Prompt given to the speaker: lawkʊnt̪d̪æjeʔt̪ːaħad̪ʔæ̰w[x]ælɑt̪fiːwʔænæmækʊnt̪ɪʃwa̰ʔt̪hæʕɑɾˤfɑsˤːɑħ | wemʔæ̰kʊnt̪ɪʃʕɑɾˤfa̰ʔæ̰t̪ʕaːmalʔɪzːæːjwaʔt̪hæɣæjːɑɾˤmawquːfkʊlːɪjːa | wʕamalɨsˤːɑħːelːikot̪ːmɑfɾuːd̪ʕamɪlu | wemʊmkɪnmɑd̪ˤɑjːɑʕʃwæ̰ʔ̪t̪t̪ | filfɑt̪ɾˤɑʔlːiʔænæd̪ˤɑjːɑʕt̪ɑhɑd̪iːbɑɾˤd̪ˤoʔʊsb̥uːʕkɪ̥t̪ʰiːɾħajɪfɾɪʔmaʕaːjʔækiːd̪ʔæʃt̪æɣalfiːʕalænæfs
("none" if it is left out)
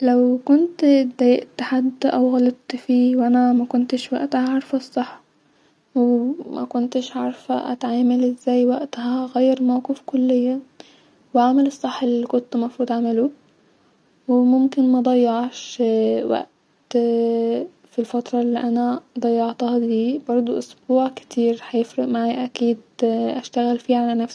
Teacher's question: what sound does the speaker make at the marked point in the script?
ɣ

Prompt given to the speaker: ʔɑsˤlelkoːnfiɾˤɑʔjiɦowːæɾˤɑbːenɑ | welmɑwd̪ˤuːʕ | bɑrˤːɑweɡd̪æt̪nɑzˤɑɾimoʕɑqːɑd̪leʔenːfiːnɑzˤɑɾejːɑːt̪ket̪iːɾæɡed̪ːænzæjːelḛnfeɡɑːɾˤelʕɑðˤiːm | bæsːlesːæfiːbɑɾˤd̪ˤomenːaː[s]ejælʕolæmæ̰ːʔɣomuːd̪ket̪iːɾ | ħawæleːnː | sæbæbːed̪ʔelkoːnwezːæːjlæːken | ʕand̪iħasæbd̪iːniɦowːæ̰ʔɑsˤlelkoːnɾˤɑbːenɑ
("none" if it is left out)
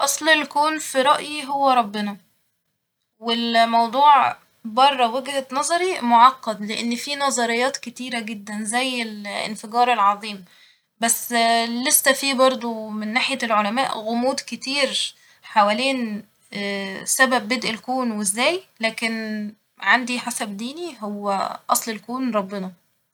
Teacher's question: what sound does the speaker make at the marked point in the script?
ħ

